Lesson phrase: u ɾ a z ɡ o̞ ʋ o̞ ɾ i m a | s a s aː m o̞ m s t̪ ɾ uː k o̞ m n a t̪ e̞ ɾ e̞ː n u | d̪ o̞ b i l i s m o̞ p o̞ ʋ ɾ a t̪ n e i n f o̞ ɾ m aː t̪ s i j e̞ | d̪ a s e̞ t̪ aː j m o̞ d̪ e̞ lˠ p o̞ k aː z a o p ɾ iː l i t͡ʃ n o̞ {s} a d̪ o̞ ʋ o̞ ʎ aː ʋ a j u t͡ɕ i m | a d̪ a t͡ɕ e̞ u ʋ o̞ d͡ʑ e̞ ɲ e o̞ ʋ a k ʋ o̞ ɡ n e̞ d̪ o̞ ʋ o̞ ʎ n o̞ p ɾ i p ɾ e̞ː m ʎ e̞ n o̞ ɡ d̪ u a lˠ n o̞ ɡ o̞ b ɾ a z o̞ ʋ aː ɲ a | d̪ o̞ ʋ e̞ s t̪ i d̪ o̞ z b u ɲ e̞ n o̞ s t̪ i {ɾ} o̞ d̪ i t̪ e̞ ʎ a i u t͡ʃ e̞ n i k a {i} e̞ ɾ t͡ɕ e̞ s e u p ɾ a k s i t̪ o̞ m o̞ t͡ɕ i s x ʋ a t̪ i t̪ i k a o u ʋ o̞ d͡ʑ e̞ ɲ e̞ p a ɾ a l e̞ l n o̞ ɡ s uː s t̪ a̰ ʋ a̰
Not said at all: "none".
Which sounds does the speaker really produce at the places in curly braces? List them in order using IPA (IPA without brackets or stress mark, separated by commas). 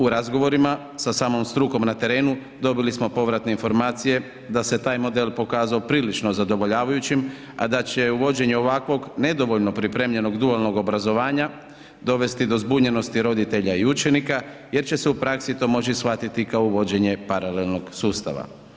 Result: z, ɾ, j